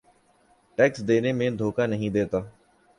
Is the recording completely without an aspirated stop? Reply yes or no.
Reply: yes